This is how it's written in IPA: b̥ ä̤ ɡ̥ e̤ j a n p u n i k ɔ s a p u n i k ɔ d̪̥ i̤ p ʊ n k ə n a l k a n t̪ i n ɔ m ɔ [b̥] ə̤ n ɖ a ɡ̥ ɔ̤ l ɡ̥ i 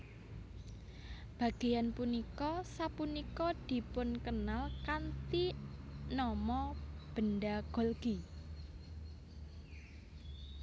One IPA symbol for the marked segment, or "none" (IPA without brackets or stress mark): b̥